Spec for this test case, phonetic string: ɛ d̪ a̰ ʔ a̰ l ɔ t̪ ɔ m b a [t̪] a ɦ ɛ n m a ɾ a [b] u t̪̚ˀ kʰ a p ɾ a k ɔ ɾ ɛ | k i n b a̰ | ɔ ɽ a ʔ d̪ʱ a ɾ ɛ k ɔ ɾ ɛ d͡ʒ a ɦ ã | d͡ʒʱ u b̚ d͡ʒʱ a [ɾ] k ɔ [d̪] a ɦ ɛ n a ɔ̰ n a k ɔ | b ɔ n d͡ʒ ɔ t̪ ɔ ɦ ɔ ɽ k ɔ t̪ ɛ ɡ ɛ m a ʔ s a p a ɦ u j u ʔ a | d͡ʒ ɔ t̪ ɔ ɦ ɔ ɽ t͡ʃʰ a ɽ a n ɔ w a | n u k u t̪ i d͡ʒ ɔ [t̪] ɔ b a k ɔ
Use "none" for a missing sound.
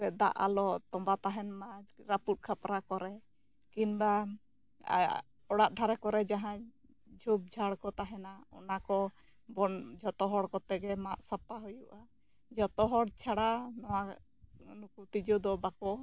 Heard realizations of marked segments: t̪, p, ɽ, t̪, d̪

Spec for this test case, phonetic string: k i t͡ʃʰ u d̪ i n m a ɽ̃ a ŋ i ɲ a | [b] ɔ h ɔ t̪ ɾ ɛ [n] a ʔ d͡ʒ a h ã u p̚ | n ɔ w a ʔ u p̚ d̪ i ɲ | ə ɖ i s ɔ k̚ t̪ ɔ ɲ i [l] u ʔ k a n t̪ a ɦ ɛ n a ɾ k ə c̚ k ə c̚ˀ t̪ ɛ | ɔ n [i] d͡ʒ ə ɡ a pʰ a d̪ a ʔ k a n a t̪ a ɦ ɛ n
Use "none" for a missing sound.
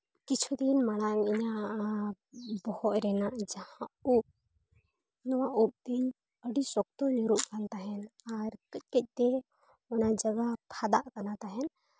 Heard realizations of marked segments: b, n, ɾ, a

